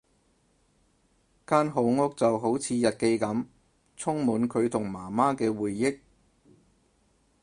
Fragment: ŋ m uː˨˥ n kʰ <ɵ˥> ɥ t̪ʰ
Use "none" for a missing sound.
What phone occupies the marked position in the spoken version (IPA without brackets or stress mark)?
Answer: ɵ˨˧